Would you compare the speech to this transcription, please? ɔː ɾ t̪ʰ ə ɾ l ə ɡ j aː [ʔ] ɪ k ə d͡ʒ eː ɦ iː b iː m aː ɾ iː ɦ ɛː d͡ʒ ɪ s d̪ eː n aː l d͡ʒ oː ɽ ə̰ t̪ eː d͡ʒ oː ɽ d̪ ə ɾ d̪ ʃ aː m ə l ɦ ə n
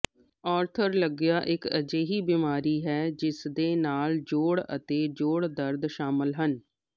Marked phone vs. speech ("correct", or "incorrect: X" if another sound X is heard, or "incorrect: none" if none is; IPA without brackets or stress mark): correct